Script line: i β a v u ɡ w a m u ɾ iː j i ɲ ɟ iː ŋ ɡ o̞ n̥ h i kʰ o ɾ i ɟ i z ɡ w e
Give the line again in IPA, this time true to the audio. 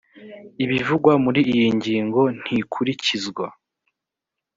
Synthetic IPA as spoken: i β i v u ɡ w a m u ɾ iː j i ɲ ɟ iː ŋ ɡ o̞ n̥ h i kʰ u ɾ i c i z ɡ w a